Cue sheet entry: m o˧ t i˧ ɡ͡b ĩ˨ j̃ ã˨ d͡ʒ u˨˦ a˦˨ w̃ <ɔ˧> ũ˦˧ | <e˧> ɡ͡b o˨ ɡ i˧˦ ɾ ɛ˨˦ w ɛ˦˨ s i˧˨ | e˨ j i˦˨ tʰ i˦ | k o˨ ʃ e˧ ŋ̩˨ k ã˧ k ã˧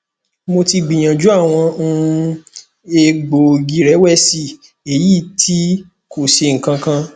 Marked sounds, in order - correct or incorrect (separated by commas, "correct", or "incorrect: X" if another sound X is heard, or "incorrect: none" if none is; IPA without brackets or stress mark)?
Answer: incorrect: ɔ̃˧, correct